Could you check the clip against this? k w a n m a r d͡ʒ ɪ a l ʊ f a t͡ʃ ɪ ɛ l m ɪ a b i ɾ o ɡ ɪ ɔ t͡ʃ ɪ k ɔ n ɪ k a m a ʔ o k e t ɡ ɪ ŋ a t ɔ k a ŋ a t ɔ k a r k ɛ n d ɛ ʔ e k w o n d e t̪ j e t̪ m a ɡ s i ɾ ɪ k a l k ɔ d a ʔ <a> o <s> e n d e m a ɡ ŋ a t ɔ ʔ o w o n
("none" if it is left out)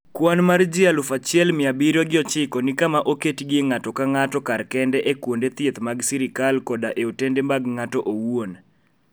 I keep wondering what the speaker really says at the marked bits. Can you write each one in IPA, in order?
e, t

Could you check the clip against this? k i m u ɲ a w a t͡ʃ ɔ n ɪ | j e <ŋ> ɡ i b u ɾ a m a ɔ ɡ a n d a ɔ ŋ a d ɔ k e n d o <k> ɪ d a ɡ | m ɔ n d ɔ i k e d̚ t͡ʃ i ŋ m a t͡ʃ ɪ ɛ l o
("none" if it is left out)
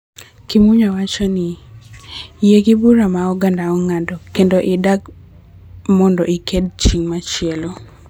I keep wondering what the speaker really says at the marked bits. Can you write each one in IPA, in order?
none, ʔ

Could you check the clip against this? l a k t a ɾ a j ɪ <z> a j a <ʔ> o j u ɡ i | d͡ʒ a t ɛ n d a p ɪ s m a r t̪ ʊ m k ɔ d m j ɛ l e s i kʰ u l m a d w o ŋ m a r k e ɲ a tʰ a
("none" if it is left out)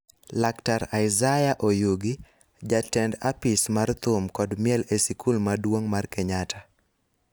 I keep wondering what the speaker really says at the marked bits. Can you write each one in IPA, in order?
z, ʔ

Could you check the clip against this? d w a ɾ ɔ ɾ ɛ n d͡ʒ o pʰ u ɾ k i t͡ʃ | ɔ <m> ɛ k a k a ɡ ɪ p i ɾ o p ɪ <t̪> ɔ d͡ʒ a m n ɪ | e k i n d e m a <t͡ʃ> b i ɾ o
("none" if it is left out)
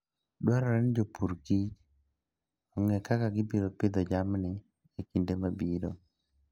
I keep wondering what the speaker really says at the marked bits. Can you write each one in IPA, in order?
ŋ, d̪, none

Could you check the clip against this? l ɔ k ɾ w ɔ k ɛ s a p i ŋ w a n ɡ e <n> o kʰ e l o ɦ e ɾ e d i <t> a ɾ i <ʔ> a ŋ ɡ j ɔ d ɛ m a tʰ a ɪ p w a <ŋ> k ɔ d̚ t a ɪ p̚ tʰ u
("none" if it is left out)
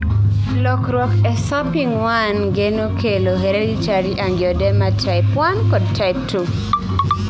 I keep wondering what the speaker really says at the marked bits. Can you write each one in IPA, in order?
n, t͡ʃ, ʔ, n

